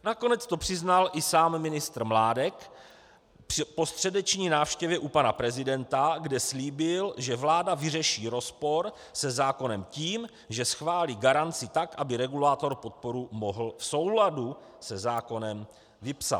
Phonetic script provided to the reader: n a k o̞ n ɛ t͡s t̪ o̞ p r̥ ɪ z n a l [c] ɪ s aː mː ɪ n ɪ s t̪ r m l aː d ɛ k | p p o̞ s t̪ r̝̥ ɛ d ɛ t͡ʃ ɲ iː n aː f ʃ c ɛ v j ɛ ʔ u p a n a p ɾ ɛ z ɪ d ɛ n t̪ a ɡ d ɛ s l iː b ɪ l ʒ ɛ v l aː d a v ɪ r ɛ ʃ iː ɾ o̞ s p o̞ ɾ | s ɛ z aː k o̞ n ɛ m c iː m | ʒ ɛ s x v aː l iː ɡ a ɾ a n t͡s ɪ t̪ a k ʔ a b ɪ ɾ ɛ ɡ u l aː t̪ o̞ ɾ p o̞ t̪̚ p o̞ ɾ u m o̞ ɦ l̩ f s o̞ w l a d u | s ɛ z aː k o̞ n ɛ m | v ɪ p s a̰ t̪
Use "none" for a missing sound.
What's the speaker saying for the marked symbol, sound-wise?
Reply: ʔ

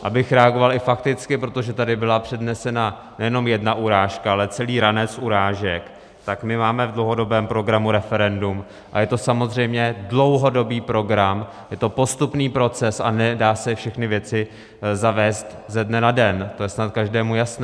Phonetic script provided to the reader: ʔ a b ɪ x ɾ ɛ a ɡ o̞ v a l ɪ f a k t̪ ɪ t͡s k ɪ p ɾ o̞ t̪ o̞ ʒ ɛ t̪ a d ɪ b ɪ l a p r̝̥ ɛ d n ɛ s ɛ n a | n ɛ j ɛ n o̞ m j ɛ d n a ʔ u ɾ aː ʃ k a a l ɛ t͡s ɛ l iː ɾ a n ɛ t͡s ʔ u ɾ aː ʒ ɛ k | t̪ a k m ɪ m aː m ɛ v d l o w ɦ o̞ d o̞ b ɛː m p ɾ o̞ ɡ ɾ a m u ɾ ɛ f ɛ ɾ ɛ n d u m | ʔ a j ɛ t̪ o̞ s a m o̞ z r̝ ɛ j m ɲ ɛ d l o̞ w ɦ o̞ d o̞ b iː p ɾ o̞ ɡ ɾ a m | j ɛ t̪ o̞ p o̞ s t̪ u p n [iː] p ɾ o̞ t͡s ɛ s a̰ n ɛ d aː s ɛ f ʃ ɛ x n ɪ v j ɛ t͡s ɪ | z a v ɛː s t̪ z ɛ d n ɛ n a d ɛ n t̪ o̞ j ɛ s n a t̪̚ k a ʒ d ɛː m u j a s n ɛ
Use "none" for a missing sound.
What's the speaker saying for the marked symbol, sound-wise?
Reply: iː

